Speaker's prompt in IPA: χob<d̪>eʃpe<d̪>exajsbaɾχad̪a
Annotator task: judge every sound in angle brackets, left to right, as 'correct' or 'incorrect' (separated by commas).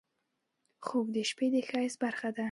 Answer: correct, correct